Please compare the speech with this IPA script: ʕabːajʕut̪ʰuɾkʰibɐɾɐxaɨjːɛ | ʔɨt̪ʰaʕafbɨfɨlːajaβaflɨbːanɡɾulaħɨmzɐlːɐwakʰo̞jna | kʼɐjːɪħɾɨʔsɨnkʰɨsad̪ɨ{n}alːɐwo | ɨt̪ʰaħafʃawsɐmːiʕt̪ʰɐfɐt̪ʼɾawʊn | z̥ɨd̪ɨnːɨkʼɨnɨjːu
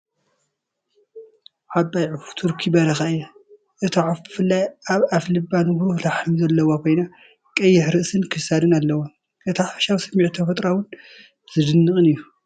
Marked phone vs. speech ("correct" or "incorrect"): correct